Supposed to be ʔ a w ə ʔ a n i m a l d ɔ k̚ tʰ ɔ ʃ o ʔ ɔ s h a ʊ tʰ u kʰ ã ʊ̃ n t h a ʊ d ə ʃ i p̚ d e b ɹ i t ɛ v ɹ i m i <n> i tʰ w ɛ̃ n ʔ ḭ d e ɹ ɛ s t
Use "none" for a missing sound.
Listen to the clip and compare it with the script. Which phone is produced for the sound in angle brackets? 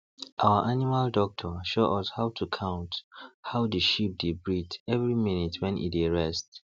n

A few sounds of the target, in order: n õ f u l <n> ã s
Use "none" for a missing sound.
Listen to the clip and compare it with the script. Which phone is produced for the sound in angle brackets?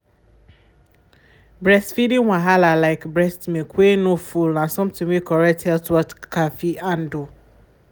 n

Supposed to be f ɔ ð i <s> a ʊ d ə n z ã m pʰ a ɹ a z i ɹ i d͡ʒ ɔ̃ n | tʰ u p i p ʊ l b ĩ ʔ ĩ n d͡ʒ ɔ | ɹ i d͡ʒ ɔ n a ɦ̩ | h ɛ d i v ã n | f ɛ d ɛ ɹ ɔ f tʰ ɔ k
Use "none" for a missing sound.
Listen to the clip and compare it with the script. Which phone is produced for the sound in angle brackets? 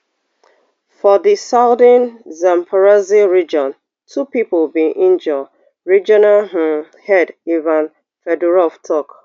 s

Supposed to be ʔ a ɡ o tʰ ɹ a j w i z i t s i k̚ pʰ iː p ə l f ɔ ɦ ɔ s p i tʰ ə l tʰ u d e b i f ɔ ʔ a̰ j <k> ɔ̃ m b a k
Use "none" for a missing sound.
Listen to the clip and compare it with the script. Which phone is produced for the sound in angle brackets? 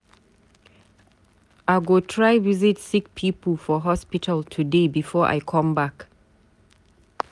kʰ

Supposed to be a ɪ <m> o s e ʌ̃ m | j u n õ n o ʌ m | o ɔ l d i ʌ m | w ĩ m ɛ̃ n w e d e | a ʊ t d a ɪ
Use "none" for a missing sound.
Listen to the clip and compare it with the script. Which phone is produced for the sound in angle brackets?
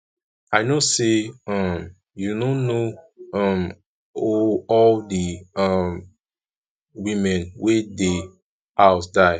n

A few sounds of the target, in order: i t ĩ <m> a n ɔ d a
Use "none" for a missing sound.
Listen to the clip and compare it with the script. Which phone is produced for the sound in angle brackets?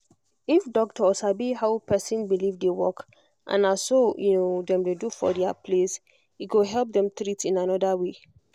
n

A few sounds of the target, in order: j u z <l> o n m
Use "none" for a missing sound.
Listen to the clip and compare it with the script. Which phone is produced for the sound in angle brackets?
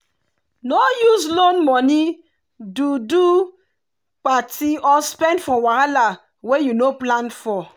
l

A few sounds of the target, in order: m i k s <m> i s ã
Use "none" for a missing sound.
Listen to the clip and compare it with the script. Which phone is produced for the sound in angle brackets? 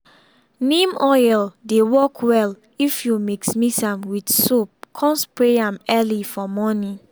m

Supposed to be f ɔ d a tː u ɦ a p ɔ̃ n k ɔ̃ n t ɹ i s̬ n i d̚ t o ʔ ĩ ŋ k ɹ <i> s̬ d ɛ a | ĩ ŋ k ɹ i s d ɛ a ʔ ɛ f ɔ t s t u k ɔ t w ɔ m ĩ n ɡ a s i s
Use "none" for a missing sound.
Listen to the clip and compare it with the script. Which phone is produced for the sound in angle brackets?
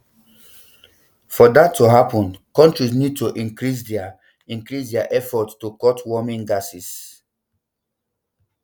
i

